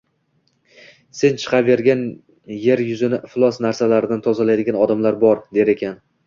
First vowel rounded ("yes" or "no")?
no